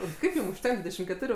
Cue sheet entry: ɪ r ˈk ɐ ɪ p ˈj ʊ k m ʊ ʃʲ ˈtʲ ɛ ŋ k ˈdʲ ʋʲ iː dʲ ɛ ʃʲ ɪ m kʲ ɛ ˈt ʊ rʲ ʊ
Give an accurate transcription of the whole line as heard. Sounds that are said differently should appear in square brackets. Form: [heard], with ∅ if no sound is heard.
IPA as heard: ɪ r ˈk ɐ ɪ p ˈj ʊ [∅] m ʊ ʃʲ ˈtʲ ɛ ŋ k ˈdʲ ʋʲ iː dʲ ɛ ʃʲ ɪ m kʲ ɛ ˈt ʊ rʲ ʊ